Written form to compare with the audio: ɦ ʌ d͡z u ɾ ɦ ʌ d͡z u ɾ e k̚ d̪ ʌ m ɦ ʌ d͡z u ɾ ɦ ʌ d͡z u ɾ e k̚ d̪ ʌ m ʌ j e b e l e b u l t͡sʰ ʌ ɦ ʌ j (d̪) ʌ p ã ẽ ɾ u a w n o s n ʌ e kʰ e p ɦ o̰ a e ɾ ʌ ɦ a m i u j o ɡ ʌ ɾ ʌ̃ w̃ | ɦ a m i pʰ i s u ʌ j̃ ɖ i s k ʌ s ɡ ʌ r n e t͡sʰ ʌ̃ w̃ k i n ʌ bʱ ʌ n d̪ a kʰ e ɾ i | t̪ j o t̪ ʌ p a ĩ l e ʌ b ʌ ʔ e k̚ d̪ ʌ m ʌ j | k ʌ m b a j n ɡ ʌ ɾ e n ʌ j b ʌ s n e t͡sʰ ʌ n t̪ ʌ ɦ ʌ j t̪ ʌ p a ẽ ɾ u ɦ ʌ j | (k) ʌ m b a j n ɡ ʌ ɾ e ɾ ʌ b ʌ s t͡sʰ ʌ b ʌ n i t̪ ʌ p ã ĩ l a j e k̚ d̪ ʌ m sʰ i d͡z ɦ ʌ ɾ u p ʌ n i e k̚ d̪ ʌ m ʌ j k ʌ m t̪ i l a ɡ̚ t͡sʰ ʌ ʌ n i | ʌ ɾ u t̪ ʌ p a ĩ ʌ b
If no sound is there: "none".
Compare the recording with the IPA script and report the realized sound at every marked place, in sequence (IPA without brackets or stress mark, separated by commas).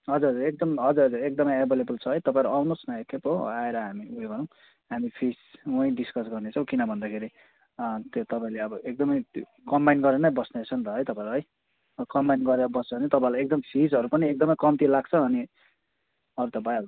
t̪, k